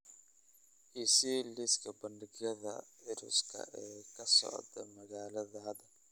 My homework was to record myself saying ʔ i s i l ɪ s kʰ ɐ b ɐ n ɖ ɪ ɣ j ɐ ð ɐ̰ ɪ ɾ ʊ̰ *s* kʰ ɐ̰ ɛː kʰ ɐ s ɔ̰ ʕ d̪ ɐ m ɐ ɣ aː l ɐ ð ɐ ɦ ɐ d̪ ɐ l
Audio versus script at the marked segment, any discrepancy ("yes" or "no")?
no